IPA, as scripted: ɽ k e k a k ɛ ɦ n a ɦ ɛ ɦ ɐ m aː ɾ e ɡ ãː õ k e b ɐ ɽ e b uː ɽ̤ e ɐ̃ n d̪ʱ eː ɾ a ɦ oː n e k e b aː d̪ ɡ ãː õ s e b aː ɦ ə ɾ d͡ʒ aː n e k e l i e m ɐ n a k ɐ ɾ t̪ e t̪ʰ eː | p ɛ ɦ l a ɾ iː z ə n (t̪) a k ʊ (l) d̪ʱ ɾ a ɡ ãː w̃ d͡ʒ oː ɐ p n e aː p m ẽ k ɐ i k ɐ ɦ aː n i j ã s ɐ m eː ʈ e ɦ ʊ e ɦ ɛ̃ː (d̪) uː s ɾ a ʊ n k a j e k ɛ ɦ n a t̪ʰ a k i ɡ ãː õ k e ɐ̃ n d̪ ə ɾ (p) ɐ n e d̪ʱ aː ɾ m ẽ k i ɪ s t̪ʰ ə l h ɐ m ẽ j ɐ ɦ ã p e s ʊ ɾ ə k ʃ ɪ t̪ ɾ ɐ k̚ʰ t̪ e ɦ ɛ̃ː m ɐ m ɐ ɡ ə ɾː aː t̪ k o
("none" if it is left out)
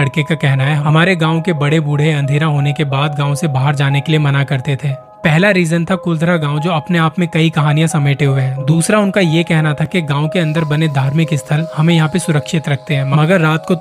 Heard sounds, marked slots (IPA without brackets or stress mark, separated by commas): t̪ʰ, l, d̪, b